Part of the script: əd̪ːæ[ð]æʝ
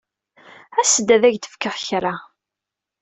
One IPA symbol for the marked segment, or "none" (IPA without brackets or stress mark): ð